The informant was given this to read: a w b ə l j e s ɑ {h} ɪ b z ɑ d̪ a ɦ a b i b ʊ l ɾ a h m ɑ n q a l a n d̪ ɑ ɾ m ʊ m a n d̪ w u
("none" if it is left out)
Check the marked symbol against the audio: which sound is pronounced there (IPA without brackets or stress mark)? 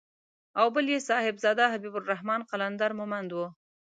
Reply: h